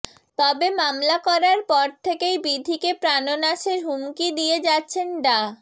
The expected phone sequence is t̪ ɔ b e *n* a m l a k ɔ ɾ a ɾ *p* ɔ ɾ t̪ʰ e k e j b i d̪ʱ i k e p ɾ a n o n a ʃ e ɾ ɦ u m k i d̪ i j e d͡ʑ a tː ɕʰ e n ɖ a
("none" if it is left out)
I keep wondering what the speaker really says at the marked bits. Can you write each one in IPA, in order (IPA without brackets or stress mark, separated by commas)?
m, p